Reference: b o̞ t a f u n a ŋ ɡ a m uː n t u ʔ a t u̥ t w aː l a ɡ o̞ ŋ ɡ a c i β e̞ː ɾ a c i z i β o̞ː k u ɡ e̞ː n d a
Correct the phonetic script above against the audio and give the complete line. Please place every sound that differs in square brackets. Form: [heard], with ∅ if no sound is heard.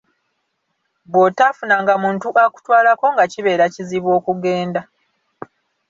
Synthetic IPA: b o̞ t a f u n a ŋ ɡ a m uː n t u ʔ a [k] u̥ t w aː l a [k] o̞ ŋ ɡ a c i β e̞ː ɾ a c i z i β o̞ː k u ɡ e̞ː n d a